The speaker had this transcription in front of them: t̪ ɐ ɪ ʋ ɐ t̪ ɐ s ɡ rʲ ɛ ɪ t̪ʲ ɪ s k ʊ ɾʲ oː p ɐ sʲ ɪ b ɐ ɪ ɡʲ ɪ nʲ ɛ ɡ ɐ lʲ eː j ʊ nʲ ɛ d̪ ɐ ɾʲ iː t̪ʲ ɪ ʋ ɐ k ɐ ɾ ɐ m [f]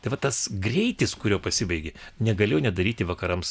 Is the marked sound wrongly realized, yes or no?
yes